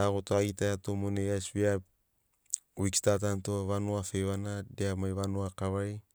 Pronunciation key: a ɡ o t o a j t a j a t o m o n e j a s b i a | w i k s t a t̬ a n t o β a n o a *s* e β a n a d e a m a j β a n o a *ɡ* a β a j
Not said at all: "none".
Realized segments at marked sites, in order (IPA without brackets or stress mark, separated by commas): f, k